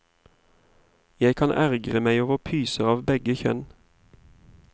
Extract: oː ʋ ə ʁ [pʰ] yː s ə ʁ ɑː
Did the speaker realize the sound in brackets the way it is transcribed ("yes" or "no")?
yes